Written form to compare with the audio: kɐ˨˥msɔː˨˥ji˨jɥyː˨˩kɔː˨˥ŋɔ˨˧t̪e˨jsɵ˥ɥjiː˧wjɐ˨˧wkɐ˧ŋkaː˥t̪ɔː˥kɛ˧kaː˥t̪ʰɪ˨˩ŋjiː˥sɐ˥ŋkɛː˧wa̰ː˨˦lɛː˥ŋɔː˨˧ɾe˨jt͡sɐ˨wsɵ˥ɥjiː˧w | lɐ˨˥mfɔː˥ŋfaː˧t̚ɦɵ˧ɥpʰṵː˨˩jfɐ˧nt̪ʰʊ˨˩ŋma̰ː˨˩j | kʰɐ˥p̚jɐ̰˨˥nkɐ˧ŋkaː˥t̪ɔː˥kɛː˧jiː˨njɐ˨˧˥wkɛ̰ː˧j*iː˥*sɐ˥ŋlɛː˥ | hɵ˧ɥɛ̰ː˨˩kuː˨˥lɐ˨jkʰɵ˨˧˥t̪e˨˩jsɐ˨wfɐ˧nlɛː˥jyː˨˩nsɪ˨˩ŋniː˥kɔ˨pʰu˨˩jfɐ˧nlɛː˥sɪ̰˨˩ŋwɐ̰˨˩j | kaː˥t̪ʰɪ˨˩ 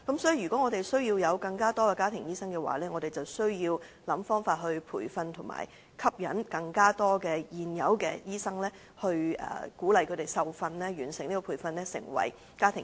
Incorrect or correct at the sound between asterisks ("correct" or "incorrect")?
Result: correct